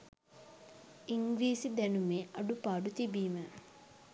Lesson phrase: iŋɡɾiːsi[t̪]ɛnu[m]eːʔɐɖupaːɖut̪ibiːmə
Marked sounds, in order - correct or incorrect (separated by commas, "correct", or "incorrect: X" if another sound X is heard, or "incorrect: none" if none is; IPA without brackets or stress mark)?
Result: incorrect: d̪, correct